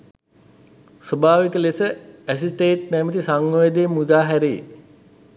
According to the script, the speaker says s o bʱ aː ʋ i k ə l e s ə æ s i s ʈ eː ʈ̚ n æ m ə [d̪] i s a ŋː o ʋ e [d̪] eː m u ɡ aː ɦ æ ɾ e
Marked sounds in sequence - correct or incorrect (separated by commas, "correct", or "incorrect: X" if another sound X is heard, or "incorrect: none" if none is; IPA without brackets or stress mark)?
incorrect: t̪, correct